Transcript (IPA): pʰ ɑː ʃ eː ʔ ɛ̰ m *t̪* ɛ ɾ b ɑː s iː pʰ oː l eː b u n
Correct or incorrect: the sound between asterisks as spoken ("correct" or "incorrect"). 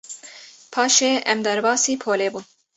incorrect